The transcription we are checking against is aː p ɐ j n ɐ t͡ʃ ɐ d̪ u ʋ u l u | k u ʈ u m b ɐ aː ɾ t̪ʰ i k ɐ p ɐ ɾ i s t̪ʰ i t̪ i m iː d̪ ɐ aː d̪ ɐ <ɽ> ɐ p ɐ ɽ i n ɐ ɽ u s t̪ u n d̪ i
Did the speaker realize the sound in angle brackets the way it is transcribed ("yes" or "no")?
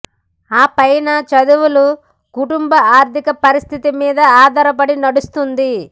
no